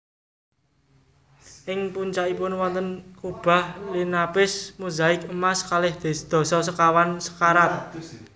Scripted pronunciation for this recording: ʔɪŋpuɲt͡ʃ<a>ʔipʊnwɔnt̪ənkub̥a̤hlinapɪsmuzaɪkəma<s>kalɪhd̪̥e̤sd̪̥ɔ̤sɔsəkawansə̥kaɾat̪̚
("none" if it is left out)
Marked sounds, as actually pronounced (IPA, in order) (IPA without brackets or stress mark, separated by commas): a, s